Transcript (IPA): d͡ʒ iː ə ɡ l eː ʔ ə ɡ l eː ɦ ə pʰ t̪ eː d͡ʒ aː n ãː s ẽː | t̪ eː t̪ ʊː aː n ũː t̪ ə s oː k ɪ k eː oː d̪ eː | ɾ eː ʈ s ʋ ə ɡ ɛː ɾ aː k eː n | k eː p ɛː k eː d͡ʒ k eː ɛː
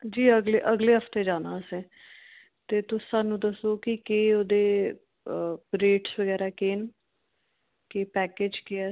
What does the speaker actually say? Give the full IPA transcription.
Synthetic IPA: d͡ʒ iː ə ɡ l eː ʔ ə ɡ l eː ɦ ə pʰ t̪ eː d͡ʒ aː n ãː s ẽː | t̪ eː t̪ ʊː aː n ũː d̪ ə s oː k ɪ k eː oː d̪ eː | ɾ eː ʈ s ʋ ə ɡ ɛː ɾ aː k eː n | k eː p ɛː k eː d͡ʒ k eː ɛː